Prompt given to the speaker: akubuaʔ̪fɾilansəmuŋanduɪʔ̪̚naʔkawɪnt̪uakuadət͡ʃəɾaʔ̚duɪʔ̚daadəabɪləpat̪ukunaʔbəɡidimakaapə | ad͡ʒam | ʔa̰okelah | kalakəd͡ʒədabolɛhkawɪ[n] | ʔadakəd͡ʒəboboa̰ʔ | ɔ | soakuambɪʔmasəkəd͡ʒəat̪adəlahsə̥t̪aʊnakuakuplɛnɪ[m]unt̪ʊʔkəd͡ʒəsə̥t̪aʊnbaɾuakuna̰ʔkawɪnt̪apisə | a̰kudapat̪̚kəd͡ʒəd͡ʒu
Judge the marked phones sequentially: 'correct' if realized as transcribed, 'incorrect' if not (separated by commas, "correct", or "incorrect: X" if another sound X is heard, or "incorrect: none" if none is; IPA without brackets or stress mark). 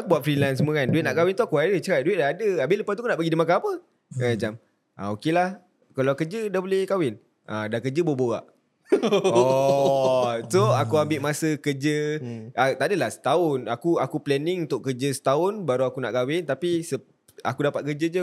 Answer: correct, incorrect: ŋ